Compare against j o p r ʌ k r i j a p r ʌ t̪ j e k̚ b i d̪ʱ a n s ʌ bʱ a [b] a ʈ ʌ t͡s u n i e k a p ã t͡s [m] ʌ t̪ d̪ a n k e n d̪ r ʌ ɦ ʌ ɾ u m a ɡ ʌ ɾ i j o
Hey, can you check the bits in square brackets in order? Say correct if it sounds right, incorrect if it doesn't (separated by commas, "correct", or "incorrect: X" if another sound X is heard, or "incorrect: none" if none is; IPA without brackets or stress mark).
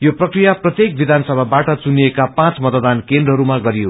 correct, correct